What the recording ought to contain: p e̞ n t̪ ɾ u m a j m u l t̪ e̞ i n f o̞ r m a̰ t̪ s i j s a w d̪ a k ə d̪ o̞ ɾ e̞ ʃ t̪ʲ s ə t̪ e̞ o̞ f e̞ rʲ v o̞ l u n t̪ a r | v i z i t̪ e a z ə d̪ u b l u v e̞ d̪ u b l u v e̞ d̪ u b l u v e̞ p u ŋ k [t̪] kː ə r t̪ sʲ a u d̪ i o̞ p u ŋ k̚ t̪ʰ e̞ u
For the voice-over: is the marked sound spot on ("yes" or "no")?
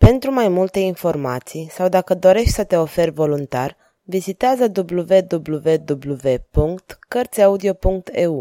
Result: yes